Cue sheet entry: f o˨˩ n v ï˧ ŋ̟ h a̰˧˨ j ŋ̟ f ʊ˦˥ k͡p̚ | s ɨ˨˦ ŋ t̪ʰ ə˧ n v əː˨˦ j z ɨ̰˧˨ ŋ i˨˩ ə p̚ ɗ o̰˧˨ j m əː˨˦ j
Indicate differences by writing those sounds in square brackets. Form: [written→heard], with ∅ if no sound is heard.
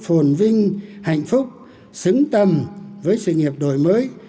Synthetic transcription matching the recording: f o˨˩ n v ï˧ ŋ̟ h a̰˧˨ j ŋ̟ f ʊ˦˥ k͡p̚ | s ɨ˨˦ ŋ [t̪ʰ→t̪] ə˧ [n→m] v əː˨˦ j [z→s] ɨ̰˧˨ ŋ i˨˩ ə p̚ ɗ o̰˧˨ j m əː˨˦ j